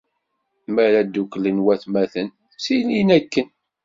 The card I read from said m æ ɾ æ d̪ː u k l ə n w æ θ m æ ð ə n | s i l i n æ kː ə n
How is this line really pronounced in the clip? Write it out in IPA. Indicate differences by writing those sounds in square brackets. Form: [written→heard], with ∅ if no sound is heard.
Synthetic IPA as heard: m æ ɾ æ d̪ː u k l ə n w æ θ m æ [ð→θ] ə n | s i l i n æ kː ə n